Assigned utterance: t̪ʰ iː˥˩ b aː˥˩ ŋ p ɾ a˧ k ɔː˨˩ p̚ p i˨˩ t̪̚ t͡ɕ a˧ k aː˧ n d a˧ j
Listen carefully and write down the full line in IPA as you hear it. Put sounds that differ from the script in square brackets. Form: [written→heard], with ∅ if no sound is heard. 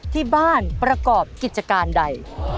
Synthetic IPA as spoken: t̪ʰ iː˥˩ b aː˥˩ [ŋ→n] p ɾ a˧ k ɔː˨˩ p̚ [p→k] i˨˩ t̪̚ t͡ɕ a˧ k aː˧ n d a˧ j